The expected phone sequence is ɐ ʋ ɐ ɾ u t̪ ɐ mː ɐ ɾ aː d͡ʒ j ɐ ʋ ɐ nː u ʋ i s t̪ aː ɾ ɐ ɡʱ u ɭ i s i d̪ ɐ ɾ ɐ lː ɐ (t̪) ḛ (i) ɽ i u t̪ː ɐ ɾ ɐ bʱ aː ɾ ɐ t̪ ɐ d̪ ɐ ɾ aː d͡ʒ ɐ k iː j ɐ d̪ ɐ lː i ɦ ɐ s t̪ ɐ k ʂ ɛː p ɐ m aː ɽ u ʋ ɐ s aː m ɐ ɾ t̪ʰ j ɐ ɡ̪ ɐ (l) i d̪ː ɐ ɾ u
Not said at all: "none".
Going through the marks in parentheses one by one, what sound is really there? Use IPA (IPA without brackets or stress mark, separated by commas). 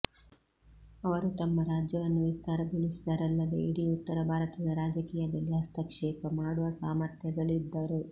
d̪, i, ɭ